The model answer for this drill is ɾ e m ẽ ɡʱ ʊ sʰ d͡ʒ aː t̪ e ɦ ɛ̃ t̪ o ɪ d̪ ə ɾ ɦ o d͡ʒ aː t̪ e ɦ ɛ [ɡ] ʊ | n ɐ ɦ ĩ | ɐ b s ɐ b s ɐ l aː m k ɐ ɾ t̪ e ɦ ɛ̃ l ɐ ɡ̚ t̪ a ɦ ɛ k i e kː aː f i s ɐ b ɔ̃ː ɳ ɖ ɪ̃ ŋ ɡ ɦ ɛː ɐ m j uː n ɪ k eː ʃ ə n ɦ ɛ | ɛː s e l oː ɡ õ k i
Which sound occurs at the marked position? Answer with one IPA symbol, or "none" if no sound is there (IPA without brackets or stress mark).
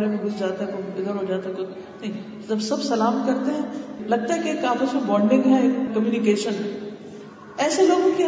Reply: k